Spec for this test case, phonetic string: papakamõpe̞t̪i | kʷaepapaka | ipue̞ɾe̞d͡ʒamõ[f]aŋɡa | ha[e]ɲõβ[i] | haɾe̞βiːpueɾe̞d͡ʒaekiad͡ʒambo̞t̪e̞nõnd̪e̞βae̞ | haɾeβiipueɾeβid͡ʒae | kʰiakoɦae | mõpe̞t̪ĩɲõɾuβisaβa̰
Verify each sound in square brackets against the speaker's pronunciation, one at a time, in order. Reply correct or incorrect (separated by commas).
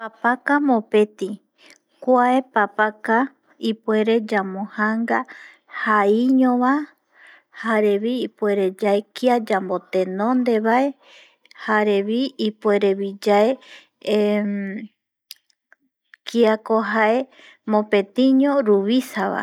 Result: incorrect, incorrect, incorrect